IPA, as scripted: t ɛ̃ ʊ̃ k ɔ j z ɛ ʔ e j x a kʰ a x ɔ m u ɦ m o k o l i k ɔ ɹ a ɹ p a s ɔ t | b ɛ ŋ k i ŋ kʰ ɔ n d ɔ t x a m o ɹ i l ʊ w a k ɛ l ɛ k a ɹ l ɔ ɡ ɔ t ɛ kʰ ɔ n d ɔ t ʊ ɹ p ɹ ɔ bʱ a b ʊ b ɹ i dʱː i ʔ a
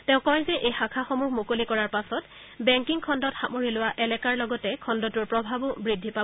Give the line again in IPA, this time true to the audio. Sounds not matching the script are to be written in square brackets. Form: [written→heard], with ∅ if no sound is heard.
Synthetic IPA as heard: t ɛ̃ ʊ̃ k ɔ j z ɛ ʔ e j x a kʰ a x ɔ m u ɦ m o k o l i k ɔ ɹ a ɹ p a s ɔ t | b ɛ ŋ k i ŋ kʰ ɔ n d ɔ t x a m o ɹ i l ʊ w a [k→ʔ] ɛ l ɛ k a ɹ l ɔ ɡ ɔ t ɛ kʰ ɔ n d ɔ t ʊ ɹ p ɹ ɔ bʱ a b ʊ b ɹ i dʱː i [ʔ→p] a